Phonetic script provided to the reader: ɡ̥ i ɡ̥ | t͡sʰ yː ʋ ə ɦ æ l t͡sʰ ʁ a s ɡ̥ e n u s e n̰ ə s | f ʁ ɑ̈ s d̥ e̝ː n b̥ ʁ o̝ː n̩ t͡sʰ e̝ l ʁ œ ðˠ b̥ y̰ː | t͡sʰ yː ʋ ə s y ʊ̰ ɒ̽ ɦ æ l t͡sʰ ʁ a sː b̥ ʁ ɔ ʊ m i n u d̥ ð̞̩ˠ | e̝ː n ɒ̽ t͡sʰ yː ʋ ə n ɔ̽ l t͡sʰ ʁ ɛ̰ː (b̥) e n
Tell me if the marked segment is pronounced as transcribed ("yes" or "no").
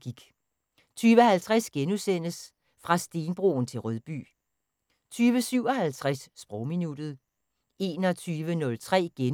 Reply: no